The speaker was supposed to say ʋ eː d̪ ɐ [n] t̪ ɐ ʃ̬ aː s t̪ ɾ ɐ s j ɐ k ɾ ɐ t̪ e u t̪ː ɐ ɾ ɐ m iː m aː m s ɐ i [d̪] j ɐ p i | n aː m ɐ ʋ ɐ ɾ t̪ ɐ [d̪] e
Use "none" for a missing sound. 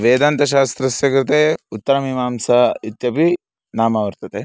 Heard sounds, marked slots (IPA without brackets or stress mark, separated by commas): n, t̪, t̪